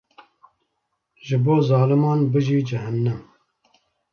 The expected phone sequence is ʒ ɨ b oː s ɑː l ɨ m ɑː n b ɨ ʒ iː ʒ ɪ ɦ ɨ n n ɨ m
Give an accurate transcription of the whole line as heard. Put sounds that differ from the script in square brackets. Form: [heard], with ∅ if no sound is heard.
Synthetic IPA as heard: ʒ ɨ b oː [z] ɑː l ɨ m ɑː n b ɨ ʒ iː [d͡ʒ] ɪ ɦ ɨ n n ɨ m